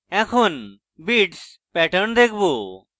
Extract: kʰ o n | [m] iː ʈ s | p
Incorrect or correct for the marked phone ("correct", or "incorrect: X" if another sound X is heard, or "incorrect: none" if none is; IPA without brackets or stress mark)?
incorrect: b